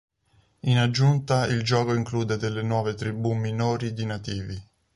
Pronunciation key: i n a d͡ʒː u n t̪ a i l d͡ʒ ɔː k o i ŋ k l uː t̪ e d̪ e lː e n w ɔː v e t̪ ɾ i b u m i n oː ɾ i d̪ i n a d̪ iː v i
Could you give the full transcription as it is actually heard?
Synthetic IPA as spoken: i n a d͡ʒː u n t̪ a i l d͡ʒ ɔː k o i ŋ k l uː d̪ e d̪ e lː e n w ɔː v e t̪ ɾ i b u m i n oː ɾ i d̪ i n a t̪ iː v i

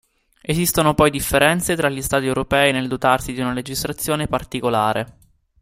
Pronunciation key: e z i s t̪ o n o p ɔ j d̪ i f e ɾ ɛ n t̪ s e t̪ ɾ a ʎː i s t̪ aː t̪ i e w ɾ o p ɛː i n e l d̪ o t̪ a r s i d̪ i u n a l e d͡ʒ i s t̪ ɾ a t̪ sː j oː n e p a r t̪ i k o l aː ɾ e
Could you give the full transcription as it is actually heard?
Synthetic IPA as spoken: e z i s t̪ o n o p ɔ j d̪ i fː e ɾ ɛ n t̪ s e t̪ ɾ a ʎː i s t̪ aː t̪ i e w ɾ o p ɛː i n e l d̪ o t̪ a r s i d̪ i u n a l e d͡ʒ i s t̪ ɾ a t̪ sː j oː n e p a r t̪ i k o l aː ɾ e

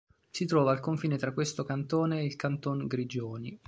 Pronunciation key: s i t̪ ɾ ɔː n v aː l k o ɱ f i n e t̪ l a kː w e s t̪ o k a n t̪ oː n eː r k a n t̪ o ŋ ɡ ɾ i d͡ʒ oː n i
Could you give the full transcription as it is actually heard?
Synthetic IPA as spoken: s i t̪ ɾ ɔː v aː l k o ɱ f iː n e t̪ ɾ a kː w e s t̪ o k a n t̪ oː n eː l k a n t̪ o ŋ ɡ ɾ i d͡ʒ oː n i

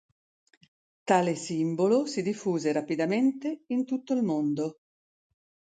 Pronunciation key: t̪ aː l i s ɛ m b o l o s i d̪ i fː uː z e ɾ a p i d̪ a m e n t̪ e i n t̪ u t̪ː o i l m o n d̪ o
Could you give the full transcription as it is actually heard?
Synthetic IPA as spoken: t̪ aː l e s i m b o l o s i d̪ i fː uː z e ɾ a p i d̪ a m e n t̪ e i n t̪ u t̪ː o i l m o n d̪ o

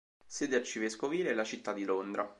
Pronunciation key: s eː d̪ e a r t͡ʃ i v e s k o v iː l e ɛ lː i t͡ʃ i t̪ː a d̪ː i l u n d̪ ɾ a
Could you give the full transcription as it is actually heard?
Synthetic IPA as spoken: s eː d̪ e a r t͡ʃ i v e s k o v iː l e ɛ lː a t͡ʃ i t̪ː a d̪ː i l o n d̪ ɾ a

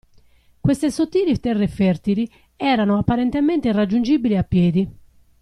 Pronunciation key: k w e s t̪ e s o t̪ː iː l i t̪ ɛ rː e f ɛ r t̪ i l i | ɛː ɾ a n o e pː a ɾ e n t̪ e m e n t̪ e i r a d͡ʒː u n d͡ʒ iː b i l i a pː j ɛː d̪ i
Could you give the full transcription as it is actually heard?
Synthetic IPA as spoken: k w e s t̪ e s o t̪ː iː l i t̪ ɛ rː e f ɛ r t̪ i l i | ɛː ɾ a n o a pː a ɾ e n t̪ e m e n t̪ e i r a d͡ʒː u n d͡ʒ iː b i l i a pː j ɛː d̪ i

